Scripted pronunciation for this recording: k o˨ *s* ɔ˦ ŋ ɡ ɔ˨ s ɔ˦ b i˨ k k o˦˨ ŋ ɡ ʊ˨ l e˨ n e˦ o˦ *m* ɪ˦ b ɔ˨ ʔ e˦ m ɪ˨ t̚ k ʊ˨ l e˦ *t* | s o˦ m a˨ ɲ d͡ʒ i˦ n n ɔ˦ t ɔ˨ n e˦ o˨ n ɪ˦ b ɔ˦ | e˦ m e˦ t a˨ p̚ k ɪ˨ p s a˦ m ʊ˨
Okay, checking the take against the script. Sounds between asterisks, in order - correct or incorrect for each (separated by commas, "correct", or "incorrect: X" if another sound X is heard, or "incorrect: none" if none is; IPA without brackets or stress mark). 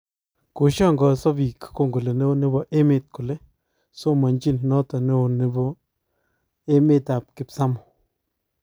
incorrect: ʃ, incorrect: n, incorrect: none